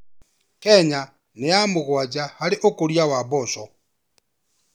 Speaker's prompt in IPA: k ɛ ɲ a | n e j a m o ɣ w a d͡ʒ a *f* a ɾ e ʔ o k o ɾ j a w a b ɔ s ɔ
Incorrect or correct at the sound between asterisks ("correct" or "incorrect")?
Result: incorrect